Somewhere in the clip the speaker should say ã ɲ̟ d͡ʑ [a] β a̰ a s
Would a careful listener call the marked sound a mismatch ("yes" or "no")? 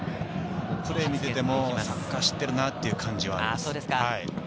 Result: yes